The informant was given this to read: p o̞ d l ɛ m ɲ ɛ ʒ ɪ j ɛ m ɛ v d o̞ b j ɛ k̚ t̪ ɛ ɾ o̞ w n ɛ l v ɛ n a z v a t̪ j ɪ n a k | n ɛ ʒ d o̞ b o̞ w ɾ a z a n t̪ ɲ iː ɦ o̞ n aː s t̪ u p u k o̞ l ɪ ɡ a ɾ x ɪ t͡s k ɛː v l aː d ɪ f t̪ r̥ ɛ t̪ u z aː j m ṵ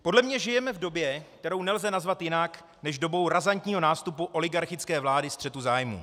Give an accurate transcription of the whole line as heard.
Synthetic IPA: p o̞ d l ɛ m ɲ ɛ ʒ ɪ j ɛ m ɛ v d o̞ b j ɛ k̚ t̪ ɛ ɾ o̞ w n ɛ l z ɛ n a z v a t̪ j ɪ n a k | n ɛ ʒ d o̞ b o̞ w ɾ a z a n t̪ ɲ iː ɦ o̞ n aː s t̪ u p u ʔ o̞ l ɪ ɡ a ɾ x ɪ t͡s k ɛː v l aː d ɪ s t̪ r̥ ɛ t̪ u z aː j m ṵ